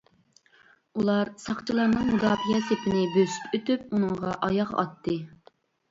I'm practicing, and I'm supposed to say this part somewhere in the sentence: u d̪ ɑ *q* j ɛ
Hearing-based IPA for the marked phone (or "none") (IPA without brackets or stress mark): p